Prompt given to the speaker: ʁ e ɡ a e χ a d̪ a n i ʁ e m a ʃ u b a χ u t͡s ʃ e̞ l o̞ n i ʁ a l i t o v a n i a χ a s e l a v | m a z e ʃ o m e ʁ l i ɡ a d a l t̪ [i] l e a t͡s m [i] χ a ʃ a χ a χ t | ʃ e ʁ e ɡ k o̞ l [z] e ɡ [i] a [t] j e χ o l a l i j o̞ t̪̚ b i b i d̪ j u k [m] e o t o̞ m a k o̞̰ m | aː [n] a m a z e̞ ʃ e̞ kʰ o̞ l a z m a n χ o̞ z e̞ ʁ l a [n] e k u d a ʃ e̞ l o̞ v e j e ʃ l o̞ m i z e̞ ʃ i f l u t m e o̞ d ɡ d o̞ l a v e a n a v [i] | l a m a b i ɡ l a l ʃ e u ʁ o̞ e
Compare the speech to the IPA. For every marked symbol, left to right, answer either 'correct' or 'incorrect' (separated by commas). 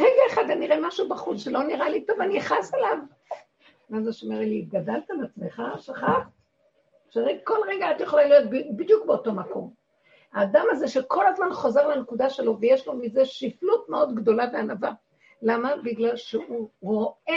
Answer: incorrect, incorrect, incorrect, incorrect, correct, incorrect, incorrect, correct, incorrect